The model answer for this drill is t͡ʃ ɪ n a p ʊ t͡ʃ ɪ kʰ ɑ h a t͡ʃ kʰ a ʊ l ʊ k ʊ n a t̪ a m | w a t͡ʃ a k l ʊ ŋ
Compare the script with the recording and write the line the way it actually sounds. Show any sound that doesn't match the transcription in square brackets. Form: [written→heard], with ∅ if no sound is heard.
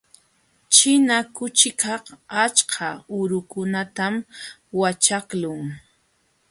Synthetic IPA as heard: t͡ʃ ɪ n a [p→k] ʊ t͡ʃ ɪ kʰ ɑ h a t͡ʃ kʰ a ʊ [l→ɾ] ʊ k ʊ n a t̪ a m | w a t͡ʃ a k l ʊ ŋ